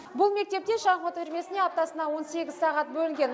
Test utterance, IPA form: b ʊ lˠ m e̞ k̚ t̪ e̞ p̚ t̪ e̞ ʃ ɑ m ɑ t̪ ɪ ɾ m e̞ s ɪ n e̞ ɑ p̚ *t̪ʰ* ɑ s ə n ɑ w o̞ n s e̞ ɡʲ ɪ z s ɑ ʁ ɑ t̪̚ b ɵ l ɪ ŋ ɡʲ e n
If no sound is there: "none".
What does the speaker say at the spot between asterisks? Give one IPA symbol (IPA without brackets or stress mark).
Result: t̪